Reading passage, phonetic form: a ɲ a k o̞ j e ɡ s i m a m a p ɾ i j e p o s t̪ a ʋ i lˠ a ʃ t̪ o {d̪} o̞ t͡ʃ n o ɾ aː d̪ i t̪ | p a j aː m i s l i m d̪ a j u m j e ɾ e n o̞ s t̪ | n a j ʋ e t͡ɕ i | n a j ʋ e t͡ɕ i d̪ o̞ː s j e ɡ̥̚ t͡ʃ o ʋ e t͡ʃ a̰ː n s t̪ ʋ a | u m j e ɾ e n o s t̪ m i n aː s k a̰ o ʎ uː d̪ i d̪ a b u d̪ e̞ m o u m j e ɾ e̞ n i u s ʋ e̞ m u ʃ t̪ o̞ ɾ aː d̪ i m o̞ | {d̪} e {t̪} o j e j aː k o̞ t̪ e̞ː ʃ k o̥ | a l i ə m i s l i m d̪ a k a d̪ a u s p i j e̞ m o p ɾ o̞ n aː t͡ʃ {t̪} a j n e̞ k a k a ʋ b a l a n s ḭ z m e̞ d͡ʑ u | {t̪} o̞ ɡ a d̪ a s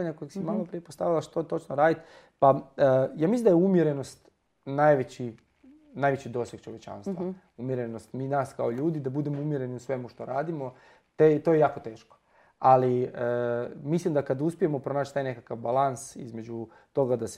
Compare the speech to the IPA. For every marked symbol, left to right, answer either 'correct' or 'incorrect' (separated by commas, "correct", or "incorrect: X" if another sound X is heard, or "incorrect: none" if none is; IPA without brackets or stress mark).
incorrect: t̪, incorrect: t̪, correct, correct, correct